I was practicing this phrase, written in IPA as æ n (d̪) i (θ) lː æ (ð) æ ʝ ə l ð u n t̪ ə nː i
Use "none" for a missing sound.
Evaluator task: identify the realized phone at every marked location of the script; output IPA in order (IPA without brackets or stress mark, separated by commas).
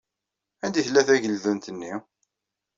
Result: d̪, θ, θ